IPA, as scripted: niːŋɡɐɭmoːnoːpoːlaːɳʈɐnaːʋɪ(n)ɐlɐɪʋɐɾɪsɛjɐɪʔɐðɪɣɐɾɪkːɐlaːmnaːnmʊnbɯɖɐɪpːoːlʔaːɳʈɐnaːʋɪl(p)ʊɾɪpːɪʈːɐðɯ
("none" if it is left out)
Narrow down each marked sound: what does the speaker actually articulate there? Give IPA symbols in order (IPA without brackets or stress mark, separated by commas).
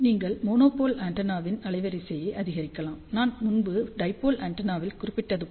n, k